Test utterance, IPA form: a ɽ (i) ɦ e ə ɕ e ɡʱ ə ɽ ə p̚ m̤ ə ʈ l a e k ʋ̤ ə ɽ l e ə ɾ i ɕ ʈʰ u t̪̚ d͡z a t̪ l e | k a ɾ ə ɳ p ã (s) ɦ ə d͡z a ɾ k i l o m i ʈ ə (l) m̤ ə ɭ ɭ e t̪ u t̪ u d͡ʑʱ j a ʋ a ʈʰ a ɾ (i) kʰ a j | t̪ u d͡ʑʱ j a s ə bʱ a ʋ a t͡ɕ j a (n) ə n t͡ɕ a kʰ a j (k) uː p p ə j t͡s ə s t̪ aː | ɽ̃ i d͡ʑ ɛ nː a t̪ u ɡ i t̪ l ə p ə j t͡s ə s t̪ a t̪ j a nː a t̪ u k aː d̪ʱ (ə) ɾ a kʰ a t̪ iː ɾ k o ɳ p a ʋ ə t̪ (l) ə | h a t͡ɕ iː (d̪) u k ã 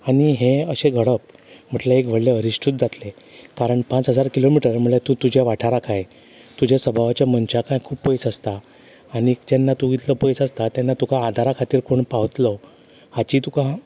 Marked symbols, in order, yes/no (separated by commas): yes, no, no, no, no, no, no, yes, no